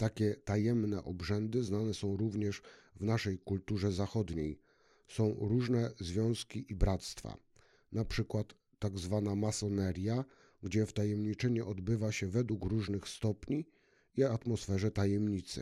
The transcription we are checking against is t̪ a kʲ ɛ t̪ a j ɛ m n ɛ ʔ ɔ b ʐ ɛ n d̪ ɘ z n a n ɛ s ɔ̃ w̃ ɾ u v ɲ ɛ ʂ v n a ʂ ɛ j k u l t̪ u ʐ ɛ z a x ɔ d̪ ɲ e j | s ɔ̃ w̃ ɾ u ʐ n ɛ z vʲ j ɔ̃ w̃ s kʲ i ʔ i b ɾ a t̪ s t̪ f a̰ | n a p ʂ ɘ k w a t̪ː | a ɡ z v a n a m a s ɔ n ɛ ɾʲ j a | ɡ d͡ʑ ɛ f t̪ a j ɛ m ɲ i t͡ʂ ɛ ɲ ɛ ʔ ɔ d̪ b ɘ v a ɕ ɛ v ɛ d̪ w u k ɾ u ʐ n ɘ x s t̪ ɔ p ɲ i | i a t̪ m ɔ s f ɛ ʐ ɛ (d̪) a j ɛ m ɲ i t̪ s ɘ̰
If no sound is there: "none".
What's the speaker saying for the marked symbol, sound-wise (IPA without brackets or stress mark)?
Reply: t̪